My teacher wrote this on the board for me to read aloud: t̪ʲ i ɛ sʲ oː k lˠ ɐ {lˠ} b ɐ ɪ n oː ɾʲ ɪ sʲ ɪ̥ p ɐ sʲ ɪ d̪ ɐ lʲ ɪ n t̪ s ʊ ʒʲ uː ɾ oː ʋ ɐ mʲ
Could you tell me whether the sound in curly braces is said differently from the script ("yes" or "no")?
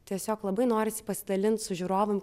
yes